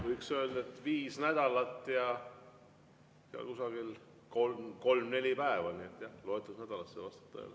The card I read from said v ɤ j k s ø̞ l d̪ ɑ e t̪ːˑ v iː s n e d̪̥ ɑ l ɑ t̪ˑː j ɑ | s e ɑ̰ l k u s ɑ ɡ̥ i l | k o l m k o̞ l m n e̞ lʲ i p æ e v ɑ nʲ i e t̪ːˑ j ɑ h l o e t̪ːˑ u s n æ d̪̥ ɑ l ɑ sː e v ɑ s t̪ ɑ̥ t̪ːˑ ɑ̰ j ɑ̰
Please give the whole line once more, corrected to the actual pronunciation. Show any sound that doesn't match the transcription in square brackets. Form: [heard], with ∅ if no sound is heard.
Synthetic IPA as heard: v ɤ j k s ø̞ l d̪ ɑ e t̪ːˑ v iː s n [æ] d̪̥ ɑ l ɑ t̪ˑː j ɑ | s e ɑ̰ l k u s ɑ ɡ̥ i l | k o l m k o̞ l m n e̞ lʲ i p æ e v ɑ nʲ i e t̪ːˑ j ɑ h l o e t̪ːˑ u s n æ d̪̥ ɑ l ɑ sː e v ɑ s t̪ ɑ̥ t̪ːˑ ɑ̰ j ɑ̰